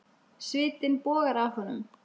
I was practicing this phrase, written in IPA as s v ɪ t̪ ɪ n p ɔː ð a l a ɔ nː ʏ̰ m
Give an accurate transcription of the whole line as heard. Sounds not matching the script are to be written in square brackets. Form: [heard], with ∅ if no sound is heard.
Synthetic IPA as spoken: s v [ɪː] t̪ ɪ n p ɔː [ɣ] a [ɾ] a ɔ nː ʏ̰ m